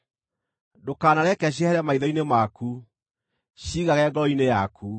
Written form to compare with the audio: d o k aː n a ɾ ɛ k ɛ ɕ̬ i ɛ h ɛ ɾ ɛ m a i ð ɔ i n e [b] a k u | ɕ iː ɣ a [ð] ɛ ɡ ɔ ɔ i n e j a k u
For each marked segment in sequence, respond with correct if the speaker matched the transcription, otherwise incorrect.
incorrect, incorrect

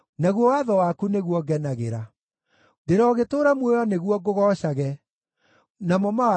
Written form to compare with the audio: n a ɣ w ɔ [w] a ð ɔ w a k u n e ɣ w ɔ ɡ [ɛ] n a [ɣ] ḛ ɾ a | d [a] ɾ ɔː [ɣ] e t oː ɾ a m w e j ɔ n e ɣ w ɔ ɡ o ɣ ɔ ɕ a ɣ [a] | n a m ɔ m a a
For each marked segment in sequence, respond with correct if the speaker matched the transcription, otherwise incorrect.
correct, correct, correct, incorrect, correct, incorrect

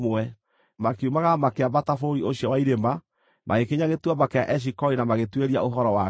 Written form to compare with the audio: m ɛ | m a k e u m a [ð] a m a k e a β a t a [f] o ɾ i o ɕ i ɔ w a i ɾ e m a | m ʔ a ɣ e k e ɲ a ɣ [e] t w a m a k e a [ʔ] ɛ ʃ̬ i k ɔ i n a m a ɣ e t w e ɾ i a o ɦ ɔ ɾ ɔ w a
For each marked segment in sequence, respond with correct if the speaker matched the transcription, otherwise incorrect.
incorrect, correct, correct, correct

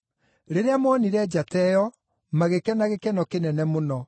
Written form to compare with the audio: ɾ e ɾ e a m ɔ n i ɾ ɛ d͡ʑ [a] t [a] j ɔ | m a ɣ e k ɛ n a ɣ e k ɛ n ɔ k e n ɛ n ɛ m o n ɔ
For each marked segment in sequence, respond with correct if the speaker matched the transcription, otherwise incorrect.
correct, incorrect

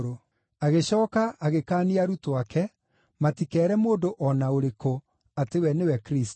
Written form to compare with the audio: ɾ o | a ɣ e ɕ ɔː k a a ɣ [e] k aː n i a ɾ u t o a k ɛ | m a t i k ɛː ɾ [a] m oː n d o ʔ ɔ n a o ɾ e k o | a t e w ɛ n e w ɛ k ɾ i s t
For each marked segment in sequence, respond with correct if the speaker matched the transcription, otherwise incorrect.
correct, incorrect

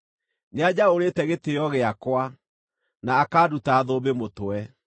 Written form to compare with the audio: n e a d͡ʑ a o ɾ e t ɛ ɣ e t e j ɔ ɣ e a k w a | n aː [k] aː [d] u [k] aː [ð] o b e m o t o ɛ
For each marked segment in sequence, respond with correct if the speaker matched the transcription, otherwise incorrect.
correct, correct, incorrect, correct

